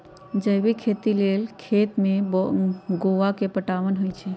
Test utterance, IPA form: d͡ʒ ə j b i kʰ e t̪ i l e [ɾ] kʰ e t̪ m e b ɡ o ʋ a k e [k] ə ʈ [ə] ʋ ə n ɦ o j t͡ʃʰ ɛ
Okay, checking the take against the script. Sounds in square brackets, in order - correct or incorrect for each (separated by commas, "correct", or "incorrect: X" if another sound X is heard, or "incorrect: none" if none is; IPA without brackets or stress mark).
incorrect: l, incorrect: p, incorrect: a